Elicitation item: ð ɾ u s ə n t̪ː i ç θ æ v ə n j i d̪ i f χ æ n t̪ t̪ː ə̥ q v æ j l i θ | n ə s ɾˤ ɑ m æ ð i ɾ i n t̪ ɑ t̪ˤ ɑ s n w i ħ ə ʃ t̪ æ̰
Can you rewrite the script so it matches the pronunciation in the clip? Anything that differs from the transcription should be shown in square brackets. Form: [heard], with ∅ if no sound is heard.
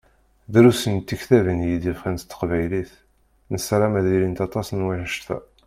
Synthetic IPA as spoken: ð ɾ u s ə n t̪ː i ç θ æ v ə n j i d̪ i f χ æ n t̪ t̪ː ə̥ q v æ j l i θ | n ə s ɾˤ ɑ m æ ð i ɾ i n t̪ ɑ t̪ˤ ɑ s n w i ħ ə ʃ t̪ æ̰